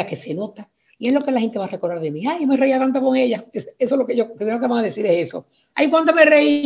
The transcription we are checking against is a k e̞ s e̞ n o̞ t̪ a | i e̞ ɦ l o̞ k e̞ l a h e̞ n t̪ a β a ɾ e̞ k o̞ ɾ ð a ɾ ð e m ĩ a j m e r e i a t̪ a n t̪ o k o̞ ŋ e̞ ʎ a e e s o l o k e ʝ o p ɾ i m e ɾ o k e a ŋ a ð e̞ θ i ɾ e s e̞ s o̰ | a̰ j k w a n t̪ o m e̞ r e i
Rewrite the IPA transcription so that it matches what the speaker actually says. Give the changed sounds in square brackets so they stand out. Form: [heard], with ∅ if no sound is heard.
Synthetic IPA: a k e̞ s e̞ n o̞ t̪ a | i e̞ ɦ l o̞ k e̞ l a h e̞ n t̪ [e] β a [r] e̞ k o̞ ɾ ð a ɾ ð e m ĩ a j m e r e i a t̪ a n t̪ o k o̞ ŋ e̞ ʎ a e e s o l o k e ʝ o p ɾ i m e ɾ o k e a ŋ a ð e̞ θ i ɾ e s e̞ s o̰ | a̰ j k w a n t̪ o m e̞ r e i